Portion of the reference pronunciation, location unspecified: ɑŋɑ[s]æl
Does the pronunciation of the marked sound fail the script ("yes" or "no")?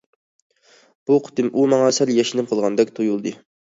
no